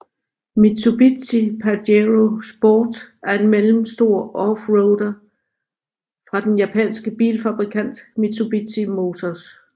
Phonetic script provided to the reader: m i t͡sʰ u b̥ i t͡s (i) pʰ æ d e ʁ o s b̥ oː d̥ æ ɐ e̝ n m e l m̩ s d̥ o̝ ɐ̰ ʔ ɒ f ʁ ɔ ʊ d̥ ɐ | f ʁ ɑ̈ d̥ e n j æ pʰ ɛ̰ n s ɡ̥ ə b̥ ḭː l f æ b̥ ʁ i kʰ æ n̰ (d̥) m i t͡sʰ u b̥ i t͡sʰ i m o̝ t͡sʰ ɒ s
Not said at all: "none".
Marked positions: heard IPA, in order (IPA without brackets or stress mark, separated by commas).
i, d̥